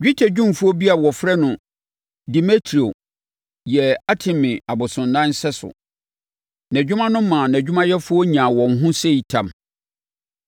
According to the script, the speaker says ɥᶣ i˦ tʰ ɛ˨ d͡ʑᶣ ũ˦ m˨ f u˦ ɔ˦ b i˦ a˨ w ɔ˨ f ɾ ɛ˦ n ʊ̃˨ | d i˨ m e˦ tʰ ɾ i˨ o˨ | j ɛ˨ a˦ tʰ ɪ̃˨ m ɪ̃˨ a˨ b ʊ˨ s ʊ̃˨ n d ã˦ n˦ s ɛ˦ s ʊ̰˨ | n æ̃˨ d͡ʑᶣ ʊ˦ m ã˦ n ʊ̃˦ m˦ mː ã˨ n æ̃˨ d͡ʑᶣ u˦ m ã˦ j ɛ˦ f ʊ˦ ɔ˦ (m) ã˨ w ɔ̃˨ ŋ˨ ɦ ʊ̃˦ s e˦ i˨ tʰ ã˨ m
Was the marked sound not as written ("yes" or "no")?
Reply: yes